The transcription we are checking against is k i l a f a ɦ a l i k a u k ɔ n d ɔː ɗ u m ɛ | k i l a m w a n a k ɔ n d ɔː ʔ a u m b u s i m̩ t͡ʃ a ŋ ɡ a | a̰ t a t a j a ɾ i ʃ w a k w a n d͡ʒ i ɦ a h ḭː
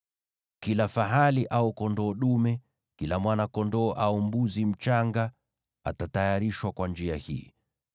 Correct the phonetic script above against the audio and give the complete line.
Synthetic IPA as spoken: k i l a f a ɦ a l i ʔ a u k ɔ n d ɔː ɗ u m ɛ | k i l a m w a n a k ɔ n d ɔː ʔ a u m b u z i m̩ t͡ʃ a ŋ ɡ a | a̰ t a t a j a ɾ i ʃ w a k w a n d͡ʒ i a h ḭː